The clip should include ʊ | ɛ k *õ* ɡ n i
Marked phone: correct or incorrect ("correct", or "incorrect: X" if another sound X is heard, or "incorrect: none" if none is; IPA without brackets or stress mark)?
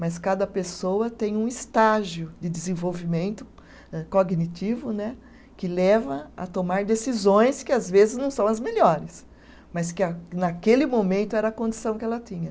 incorrect: o